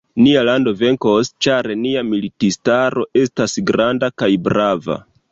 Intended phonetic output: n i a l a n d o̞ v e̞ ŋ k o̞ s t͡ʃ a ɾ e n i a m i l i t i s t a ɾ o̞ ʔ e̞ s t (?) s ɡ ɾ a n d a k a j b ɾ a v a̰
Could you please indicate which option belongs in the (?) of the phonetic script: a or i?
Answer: a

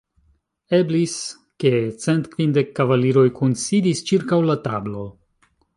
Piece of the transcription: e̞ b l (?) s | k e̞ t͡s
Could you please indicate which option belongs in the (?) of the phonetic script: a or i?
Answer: i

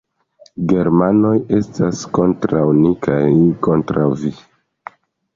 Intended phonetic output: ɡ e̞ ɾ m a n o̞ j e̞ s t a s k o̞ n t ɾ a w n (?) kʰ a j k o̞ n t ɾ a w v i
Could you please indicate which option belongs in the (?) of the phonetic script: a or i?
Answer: i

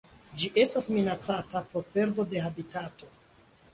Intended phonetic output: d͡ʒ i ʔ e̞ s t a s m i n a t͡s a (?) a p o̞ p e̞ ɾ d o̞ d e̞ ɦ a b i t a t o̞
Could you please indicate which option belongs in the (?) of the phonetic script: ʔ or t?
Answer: t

